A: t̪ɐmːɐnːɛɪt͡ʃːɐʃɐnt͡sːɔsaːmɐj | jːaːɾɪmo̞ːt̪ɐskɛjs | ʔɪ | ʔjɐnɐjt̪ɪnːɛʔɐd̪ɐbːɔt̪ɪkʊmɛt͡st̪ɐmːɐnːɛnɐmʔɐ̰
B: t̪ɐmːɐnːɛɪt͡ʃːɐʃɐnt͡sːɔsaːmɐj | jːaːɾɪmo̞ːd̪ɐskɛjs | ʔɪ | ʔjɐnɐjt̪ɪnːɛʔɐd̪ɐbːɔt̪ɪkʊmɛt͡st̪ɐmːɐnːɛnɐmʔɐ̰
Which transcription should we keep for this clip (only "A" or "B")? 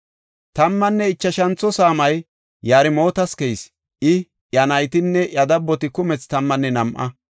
A